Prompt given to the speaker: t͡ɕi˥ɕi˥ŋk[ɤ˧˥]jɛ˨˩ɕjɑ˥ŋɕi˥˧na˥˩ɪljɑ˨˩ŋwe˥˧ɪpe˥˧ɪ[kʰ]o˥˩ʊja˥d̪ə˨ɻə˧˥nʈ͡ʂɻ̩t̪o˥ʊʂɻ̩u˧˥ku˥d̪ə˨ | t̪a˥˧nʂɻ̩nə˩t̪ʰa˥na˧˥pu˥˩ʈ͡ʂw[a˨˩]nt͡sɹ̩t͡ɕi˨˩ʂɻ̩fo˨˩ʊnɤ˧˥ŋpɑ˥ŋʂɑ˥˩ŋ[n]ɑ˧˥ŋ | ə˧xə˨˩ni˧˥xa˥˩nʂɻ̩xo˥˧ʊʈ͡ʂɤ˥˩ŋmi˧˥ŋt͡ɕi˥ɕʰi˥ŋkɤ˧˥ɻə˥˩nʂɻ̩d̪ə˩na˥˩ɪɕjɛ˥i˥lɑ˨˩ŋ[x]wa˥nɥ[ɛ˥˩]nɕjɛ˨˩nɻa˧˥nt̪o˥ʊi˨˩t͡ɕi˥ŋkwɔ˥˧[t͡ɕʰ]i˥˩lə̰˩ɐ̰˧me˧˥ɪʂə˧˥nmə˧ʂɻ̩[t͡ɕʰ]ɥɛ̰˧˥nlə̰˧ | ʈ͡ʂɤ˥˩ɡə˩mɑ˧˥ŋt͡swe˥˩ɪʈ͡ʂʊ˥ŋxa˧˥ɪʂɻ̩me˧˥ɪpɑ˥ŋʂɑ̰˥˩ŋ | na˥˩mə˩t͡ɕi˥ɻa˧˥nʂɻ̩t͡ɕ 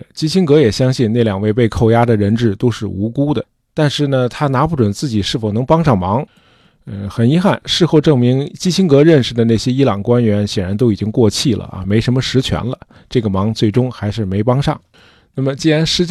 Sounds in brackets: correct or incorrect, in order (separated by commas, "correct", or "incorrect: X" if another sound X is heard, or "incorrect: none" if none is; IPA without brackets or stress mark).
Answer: correct, correct, incorrect: ə˨˩, incorrect: m, incorrect: k, incorrect: ɛ˧˥, correct, correct